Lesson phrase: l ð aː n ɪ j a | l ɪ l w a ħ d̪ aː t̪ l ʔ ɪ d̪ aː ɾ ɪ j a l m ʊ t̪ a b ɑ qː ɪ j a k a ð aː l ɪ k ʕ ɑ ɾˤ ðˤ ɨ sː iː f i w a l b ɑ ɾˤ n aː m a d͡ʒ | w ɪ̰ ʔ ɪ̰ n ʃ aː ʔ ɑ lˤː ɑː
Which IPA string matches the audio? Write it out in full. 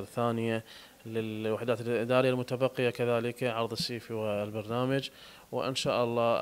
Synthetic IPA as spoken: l θ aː n ɪ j a | l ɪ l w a ħ d̪ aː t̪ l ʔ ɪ d̪ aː ɾ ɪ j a l m ʊ t̪ a b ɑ qː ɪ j a k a ð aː l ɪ k ʕ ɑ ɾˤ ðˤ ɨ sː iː f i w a l b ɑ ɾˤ n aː m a d͡ʒ | w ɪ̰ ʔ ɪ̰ n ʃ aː ʔ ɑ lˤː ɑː

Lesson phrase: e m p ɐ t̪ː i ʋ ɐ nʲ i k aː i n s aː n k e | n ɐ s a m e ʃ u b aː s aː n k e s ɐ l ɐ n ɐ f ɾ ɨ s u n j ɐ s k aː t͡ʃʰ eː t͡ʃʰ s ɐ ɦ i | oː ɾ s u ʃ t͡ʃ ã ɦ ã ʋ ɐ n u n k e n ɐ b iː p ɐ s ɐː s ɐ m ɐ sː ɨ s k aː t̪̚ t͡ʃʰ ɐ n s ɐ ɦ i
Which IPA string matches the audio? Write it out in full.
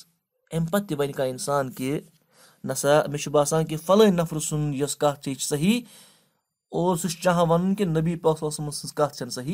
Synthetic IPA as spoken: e m p ɐ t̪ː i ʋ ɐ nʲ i k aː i n s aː n k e | n ɐ s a m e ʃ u b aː s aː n k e f ɐ l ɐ n ɐ f ɾ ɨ s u n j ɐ s k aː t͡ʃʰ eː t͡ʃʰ s ɐ ɦ i | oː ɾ s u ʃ t͡ʃ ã ɦ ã ʋ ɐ n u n k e n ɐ b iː p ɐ s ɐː s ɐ m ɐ s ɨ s k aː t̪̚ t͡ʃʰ ɐ n s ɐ ɦ i

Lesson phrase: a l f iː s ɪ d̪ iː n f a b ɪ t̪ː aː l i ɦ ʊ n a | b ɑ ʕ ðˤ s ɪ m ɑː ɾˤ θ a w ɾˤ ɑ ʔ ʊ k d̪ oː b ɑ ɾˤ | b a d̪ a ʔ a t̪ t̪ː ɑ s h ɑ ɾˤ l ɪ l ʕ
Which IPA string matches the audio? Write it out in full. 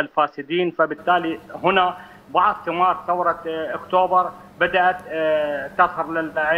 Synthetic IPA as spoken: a l f aː s ɪ d̪ iː n f a b ɪ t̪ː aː l i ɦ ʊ n a | b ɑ ʕ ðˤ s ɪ m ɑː ɾˤ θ a w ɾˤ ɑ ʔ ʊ k t̪ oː b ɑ ɾˤ | b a d̪ a ʔ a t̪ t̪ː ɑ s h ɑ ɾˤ l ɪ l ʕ

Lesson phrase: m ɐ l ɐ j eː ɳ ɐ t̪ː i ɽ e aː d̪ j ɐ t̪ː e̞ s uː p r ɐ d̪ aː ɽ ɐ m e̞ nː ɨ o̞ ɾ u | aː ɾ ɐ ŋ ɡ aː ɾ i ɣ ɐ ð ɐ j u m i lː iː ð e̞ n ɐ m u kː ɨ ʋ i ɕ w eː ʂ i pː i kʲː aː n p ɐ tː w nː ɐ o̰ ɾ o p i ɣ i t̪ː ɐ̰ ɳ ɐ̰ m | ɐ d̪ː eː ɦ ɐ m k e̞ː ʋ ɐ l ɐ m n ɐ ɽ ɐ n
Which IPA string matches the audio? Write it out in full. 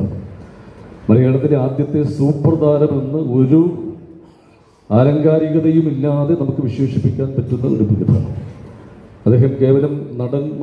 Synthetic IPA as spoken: m ɐ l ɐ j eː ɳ ɐ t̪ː i l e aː d̪ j ɐ t̪ː e̞ s uː p r ɐ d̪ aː ɾ ɐ m e̞ nː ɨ o̞ ɾ u | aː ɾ ɐ ŋ ɡ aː ɾ i ɣ ɐ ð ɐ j u m i lː aː ð e̞ n ɐ m u kː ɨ ʋ i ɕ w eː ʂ i pː i kʲː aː n p ɐ tː u nː ɐ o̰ ɾ u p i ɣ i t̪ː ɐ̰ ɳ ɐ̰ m | ɐ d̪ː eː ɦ ɐ m k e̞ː ʋ ɐ l ɐ m n ɐ ɽ ɐ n

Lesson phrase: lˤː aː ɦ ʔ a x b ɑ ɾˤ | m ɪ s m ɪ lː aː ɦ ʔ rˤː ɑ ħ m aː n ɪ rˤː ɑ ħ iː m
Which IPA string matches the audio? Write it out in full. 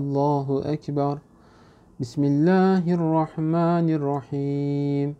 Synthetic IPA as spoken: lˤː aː ɦ ʔ a k b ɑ ɾˤ | b ɪ s m ɪ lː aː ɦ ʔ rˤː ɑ ħ m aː n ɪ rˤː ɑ ħ iː m

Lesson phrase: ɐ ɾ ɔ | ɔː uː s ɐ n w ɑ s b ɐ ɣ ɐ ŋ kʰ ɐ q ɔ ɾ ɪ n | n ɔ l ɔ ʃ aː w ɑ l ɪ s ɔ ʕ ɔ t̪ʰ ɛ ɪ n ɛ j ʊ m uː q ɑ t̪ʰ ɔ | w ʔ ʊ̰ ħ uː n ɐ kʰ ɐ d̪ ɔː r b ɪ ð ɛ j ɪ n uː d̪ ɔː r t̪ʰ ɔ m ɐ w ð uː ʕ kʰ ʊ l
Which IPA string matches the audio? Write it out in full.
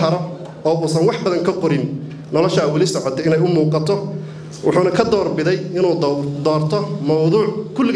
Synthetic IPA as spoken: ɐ ɾ ɔ | ɔː uː s ɐ n w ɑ ħ b ɐ ð ɐ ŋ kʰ ɐ q ɔ ɾ ɪ n | n ɔ l ɔ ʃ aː w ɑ l ɪ s ɔ ʕ ɔ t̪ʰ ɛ ɪ n ɛ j ʊ m uː q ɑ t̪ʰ ɔ | w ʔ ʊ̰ ħ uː n ɐ kʰ ɐ d̪ ɔː r b ɪ ð ɛ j ɪ n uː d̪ ɔː r t̪ʰ ɔ m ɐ w ð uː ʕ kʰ ʊ l

